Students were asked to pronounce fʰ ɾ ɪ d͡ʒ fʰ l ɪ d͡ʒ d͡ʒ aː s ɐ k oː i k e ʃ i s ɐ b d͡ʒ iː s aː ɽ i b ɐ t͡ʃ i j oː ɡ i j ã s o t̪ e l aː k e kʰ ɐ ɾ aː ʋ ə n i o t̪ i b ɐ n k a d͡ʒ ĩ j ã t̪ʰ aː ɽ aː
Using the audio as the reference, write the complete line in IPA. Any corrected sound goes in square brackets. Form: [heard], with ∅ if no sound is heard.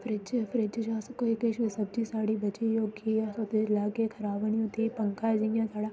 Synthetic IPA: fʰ ɾ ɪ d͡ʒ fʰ [ɾ] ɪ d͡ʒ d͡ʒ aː s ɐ k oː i k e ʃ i s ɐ b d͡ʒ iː s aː ɽ i b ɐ t͡ʃ i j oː ɡ i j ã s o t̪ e l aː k e kʰ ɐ ɾ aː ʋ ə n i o t̪ i [p] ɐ [ŋ] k a d͡ʒ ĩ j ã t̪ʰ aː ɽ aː

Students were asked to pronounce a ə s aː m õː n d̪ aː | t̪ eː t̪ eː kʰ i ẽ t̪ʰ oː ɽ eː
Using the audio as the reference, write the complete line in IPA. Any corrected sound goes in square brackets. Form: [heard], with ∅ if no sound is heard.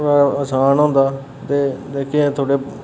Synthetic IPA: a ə s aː [n] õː n d̪ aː | t̪ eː [d̪] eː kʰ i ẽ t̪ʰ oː ɽ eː

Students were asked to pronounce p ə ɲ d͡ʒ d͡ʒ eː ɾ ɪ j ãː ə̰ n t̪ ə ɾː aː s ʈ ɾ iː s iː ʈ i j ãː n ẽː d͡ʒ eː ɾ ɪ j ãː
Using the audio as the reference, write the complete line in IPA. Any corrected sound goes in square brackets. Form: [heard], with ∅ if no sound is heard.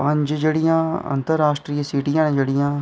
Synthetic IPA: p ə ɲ d͡ʒ d͡ʒ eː [ɽ] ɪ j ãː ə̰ n t̪ ə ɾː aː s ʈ ɾ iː s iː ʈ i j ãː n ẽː d͡ʒ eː [ɽ] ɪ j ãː

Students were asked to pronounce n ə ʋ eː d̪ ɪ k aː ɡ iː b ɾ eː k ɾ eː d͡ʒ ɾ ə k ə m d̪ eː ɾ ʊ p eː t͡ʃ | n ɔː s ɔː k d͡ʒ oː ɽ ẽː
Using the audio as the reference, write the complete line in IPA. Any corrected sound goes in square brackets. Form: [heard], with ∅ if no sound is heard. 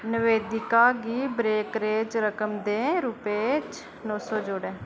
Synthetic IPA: n ə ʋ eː d̪ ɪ k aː ɡ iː b ɾ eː k ɾ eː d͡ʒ ɾ ə k ə m d̪ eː ɾ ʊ p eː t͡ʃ | n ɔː s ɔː [∅] d͡ʒ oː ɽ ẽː

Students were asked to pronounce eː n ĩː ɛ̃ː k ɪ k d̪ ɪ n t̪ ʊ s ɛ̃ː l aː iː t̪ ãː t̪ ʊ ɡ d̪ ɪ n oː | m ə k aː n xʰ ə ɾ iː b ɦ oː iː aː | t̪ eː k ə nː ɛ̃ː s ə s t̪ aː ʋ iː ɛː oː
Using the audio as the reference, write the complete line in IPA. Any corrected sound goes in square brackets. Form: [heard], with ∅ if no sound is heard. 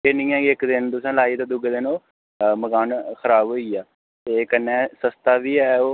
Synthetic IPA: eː n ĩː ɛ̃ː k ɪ k d̪ ɪ n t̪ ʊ s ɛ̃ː l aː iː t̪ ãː [d̪] ʊ ɡ d̪ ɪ n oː | m ə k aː n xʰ ə ɾ [aː] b ɦ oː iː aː | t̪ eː k ə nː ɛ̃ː s ə s t̪ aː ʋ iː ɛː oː

